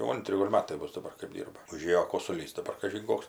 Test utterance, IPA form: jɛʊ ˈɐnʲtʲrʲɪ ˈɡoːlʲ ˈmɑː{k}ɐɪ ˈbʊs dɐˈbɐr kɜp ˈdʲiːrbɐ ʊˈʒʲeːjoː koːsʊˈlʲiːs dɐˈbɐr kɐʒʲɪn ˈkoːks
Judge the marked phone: incorrect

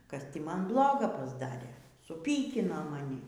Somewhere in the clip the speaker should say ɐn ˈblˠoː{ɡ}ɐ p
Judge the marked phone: correct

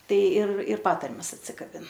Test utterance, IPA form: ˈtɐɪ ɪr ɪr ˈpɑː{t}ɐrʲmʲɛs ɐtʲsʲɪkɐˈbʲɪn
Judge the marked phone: correct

